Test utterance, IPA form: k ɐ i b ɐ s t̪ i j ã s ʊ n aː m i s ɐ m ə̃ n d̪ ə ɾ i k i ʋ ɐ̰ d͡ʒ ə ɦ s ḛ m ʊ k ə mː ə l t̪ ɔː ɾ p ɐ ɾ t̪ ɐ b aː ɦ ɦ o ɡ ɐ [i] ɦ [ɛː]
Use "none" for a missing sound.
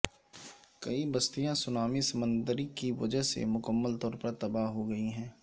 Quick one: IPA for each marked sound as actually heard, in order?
i, ɛ̃ː

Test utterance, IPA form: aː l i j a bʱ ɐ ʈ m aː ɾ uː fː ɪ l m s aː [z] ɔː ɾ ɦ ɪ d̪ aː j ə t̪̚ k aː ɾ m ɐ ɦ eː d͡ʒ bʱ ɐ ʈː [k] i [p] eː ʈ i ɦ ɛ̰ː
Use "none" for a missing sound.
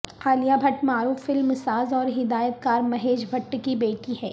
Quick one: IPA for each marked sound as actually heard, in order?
z, k, b

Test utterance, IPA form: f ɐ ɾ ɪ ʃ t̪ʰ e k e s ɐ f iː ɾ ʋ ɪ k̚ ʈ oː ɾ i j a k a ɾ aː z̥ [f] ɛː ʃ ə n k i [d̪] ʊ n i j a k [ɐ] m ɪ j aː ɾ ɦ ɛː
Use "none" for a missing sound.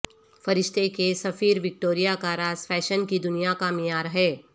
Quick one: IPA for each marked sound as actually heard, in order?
f, d̪, a

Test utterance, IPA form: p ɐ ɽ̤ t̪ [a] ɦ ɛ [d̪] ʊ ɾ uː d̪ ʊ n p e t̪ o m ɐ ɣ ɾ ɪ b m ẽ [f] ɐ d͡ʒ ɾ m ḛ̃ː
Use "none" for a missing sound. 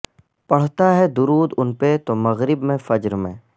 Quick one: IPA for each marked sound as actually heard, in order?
a, d̪, f

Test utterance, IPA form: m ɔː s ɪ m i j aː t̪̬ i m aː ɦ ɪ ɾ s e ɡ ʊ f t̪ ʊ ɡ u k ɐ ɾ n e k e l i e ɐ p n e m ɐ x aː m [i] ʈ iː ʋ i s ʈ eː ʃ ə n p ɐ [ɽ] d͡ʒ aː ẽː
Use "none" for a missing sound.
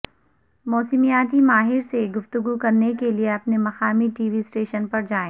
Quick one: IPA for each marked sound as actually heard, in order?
i, ɾ

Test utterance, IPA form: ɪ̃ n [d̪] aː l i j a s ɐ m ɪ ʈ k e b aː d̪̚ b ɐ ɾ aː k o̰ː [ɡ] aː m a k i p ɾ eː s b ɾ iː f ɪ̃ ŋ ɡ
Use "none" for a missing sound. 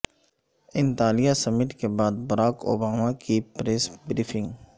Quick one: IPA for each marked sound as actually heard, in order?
t̪, b

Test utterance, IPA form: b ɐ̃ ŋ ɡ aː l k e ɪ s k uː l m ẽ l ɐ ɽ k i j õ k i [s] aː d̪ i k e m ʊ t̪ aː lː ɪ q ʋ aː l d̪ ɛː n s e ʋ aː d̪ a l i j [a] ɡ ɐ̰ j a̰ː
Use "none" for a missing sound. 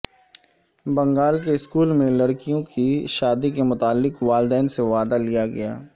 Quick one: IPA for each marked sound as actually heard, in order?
ʃ, a

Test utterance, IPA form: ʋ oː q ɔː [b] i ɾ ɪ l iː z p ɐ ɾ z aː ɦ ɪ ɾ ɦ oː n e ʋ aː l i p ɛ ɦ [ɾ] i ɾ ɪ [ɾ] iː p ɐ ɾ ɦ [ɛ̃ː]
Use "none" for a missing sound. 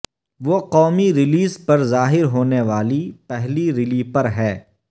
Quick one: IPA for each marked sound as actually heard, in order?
m, l, l, ɛː

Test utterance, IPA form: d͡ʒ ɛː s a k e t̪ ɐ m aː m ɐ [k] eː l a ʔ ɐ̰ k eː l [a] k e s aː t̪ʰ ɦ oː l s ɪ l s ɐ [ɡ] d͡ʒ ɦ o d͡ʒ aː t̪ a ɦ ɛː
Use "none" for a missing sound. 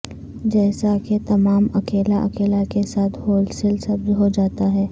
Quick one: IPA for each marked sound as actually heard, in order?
k, a, b

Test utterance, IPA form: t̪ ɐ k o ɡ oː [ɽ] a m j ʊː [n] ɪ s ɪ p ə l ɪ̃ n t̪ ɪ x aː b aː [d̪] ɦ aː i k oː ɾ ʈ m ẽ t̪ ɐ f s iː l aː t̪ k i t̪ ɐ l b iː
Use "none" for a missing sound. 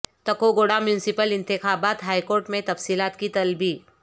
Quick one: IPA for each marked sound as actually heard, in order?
ɽ, n, t̪

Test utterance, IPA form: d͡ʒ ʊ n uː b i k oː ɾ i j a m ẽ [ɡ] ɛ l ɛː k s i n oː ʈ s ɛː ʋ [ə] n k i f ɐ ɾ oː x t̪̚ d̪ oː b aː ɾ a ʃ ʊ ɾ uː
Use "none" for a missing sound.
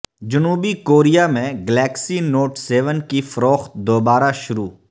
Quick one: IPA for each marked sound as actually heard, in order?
ɡ, ə

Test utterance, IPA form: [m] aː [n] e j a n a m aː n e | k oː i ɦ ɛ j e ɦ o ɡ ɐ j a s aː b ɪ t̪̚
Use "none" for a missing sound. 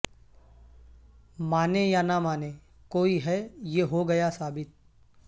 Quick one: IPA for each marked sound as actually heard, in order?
m, n

